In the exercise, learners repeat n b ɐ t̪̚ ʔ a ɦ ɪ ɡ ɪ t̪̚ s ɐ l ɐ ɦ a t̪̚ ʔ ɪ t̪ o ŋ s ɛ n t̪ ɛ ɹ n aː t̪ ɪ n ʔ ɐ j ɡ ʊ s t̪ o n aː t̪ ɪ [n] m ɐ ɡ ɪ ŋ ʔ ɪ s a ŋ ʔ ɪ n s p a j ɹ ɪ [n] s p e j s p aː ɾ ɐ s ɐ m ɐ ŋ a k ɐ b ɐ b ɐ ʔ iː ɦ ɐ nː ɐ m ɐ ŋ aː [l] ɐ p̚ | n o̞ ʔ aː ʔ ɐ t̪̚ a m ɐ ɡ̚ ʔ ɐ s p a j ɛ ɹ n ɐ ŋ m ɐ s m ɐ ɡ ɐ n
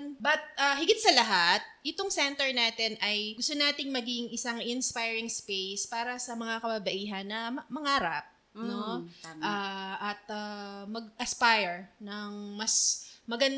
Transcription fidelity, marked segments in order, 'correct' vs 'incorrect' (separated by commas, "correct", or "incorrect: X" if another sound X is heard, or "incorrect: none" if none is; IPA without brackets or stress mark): incorrect: ŋ, incorrect: ŋ, incorrect: ɾ